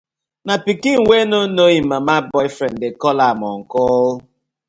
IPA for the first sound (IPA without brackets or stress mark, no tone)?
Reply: n